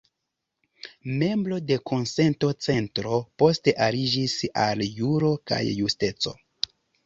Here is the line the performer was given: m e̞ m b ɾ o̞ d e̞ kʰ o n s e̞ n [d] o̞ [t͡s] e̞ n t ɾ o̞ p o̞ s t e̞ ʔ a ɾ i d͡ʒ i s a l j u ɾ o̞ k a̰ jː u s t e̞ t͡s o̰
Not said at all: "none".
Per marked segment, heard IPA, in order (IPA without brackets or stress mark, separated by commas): t, t͡s